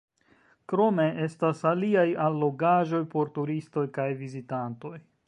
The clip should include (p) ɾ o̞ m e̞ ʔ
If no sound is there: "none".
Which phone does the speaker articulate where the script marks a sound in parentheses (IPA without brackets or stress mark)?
k